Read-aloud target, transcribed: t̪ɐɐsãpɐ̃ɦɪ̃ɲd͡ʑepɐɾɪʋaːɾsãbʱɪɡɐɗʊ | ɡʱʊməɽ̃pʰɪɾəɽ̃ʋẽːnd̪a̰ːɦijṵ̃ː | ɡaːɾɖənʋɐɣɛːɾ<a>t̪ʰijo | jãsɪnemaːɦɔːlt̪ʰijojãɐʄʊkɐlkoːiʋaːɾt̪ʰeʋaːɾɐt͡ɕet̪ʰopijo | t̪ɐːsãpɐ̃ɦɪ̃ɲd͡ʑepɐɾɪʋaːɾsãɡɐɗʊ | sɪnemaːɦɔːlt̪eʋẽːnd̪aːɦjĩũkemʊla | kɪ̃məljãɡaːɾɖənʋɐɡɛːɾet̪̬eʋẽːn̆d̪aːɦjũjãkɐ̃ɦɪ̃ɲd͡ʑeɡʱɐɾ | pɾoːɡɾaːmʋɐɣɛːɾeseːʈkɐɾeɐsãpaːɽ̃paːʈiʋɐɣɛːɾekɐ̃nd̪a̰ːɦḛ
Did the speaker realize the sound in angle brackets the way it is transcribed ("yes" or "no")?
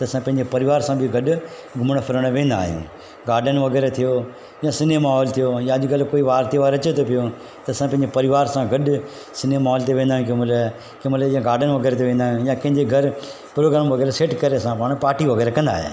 no